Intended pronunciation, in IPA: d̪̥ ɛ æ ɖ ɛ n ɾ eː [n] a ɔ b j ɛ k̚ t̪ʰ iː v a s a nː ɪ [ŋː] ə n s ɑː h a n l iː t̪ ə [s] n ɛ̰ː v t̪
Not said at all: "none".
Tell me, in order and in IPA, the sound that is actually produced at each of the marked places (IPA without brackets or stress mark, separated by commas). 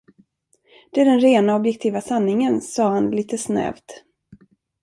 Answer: n, ŋ, s